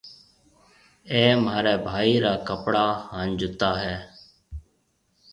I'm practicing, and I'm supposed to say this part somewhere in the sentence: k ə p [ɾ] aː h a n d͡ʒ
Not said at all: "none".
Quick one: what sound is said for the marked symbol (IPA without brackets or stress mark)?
ɽ